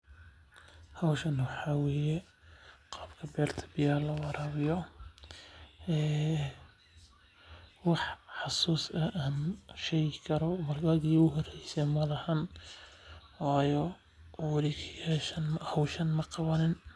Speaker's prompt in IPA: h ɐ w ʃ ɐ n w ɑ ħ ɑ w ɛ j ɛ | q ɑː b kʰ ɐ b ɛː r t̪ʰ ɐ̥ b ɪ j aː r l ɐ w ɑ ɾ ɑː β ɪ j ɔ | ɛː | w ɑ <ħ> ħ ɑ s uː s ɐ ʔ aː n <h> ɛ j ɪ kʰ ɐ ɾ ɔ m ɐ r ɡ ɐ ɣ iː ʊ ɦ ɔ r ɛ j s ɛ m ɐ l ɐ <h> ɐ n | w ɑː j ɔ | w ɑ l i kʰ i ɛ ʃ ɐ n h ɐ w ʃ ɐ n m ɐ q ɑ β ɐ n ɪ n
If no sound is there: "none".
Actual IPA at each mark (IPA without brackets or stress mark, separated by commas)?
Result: ħ, ʃ, h